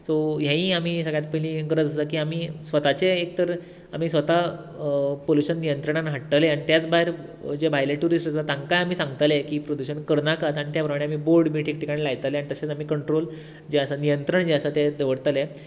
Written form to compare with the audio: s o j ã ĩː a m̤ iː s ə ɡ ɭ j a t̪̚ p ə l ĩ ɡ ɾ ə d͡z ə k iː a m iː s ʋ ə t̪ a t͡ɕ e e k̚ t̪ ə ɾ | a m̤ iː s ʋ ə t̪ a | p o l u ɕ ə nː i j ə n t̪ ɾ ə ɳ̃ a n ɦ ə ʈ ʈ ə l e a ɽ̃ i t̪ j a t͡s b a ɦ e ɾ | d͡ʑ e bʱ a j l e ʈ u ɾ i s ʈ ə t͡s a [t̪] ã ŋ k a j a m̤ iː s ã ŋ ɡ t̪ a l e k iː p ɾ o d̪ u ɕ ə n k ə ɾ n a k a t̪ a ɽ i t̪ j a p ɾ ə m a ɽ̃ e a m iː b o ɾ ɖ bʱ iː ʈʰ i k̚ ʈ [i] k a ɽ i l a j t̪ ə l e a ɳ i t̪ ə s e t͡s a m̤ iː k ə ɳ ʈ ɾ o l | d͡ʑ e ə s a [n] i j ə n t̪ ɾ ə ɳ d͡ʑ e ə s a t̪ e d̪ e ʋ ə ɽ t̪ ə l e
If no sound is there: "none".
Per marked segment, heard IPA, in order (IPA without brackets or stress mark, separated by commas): t̪, i, n